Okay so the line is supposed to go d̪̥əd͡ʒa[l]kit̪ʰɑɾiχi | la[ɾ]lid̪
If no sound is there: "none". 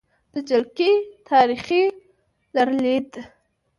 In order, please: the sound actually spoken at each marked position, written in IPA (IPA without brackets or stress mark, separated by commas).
l, ɾ